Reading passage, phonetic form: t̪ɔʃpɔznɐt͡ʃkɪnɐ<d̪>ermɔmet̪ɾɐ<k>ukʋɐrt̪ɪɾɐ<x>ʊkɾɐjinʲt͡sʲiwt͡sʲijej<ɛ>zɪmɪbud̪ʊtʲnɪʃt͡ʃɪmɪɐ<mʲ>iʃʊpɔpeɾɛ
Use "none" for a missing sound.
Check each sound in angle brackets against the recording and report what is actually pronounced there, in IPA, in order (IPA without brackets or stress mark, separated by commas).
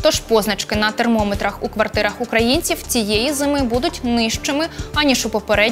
t̪, x, x, i, nʲ